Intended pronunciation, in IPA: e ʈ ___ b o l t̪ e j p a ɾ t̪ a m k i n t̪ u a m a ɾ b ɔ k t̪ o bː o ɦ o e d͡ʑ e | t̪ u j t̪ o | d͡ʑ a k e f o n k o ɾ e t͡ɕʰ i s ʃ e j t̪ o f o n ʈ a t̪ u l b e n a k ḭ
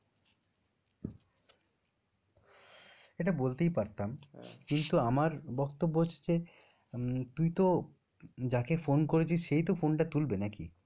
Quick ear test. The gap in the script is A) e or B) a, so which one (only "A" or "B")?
B